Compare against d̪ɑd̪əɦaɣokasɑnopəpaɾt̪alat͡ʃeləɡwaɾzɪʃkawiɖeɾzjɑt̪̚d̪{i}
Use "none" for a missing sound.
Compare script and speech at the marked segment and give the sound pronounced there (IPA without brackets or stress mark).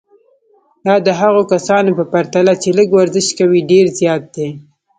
e